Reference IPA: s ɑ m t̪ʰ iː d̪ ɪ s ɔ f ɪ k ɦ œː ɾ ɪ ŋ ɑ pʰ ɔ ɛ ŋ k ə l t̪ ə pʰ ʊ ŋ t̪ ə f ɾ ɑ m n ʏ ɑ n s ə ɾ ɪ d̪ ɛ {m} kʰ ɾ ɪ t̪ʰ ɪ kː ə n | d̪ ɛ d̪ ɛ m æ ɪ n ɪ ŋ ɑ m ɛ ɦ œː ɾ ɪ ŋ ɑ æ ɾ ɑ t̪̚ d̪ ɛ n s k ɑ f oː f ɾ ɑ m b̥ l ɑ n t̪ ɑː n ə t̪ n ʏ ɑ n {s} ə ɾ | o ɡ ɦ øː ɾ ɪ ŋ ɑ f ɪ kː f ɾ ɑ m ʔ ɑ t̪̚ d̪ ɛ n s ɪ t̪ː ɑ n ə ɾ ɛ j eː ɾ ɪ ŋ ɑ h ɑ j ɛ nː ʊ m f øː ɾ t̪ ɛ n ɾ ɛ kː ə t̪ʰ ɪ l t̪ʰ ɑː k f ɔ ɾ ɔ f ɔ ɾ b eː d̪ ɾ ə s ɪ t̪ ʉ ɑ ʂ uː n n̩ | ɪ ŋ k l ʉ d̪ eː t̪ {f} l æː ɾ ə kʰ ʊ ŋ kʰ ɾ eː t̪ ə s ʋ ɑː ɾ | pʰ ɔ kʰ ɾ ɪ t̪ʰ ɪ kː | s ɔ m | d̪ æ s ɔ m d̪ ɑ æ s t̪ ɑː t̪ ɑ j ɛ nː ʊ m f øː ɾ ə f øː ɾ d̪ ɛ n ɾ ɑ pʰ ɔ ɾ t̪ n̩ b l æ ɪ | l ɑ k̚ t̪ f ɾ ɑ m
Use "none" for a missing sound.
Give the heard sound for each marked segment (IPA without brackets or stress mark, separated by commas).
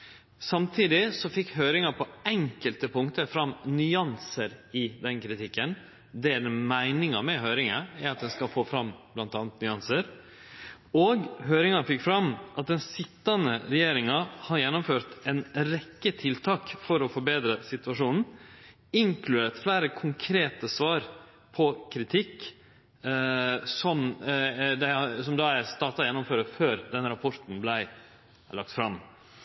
n, s, f